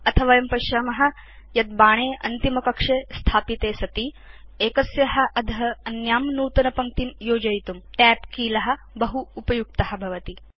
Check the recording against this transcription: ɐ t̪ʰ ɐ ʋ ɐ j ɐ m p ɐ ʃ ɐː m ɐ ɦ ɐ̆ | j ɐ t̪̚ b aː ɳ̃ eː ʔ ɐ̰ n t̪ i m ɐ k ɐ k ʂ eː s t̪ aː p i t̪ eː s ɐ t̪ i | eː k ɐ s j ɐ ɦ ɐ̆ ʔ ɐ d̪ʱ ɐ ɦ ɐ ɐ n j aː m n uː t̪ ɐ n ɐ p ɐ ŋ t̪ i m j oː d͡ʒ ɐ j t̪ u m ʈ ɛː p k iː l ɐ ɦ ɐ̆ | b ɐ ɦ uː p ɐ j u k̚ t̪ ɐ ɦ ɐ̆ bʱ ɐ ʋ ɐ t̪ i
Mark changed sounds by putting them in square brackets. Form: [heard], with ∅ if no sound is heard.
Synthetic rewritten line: ɐ t̪ʰ ɐ ʋ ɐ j ɐ m p ɐ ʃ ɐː m ɐ ɦ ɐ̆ | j ɐ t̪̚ b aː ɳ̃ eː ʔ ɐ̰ n t̪ i m ɐ k ɐ k ʂ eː s [t̪ʰ] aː p i t̪ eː s ɐ t̪ i | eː k ɐ s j ɐ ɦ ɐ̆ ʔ ɐ d̪ʱ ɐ ɦ ɐ ɐ n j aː m n uː t̪ ɐ n ɐ p ɐ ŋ t̪ i m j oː d͡ʒ ɐ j t̪ u m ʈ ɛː p k iː l ɐ ɦ ɐ̆ | b ɐ ɦ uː p ɐ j u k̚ t̪ ɐ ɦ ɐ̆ bʱ ɐ ʋ ɐ t̪ i